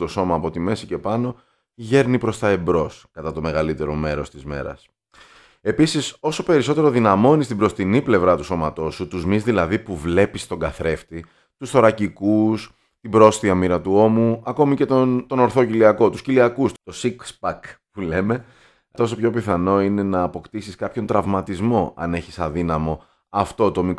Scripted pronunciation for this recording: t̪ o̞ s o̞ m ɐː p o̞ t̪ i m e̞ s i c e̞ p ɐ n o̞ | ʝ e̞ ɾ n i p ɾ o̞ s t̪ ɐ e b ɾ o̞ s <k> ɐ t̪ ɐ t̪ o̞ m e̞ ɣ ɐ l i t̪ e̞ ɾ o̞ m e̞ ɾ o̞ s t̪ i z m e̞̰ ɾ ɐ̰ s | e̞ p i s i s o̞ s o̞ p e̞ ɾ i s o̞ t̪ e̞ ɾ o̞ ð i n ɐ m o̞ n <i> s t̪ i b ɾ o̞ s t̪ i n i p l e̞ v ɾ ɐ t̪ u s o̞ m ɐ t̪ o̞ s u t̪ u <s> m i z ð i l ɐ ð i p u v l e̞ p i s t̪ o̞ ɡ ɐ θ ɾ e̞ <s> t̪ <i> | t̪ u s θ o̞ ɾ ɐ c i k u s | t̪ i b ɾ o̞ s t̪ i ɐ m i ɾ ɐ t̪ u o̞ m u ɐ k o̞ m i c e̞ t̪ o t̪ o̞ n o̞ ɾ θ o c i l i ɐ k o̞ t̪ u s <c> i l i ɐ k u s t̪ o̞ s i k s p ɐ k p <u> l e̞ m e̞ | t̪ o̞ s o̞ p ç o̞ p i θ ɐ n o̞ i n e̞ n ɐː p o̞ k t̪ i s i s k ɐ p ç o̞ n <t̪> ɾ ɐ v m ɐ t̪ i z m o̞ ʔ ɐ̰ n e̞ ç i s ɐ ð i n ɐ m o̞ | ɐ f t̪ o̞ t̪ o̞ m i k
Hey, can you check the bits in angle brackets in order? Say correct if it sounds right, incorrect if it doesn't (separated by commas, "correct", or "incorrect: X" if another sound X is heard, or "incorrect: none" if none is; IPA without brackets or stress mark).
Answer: correct, correct, incorrect: z, incorrect: f, correct, correct, correct, correct